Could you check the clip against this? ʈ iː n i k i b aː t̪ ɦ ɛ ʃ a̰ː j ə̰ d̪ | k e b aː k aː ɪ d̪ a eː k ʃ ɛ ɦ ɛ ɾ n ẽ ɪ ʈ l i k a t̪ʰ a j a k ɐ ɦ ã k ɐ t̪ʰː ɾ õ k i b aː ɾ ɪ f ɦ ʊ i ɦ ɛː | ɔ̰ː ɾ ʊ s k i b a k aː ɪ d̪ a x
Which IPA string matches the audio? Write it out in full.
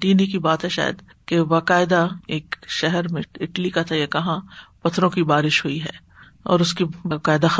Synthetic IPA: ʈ iː n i k i b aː t̪ ɦ ɛ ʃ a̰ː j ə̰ d̪ | k e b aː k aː ɪ d̪ a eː k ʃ ɛ ɦ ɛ ɾ m ẽ ɪ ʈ l i k a t̪ʰ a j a k ɐ ɦ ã p ɐ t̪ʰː ɾ õ k i b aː ɾ ɪ ʃ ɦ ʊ i ɦ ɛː | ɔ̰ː ɾ ʊ s k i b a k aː ɪ d̪ a x